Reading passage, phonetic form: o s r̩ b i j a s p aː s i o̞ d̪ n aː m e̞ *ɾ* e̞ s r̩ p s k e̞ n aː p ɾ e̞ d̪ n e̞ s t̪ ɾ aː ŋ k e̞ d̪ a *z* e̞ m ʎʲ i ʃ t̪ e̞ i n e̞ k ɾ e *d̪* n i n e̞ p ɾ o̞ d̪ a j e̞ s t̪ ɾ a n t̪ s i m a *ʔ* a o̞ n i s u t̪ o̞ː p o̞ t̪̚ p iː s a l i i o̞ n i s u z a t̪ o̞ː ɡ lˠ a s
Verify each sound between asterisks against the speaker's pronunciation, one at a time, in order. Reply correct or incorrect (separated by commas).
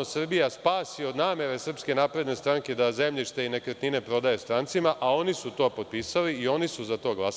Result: correct, correct, incorrect, correct